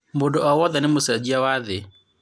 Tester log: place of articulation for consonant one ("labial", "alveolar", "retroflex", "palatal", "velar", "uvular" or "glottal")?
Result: labial